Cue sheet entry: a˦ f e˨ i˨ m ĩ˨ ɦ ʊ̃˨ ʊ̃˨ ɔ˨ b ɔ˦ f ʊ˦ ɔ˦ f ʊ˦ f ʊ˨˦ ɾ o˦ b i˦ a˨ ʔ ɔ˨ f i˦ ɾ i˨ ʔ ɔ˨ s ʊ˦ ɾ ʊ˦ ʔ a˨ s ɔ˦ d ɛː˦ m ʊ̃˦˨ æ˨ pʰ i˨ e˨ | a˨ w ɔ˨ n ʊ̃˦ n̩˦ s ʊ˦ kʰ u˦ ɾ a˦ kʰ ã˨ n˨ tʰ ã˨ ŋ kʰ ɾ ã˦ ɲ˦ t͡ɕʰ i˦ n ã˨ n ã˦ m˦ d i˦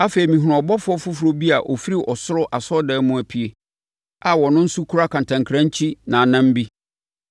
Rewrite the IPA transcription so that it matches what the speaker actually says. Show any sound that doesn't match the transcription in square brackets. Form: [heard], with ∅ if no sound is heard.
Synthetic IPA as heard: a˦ f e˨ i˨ m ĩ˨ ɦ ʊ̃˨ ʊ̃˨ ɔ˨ b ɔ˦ f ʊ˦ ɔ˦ f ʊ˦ f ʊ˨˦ ɾ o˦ b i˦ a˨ ʔ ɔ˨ f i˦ ɾ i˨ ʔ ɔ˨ s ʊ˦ ɾ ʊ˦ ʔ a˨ s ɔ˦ d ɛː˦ m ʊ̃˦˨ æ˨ pʰ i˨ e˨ | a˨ w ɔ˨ n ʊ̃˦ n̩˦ s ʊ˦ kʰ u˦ ɾ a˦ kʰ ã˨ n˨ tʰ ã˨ ŋ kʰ ɾ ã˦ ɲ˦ t͡ɕʰ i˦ n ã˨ n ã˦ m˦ [b] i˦